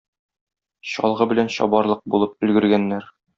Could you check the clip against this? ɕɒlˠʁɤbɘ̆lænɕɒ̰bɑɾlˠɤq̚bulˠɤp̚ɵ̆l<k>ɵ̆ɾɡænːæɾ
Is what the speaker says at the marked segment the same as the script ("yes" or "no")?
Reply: no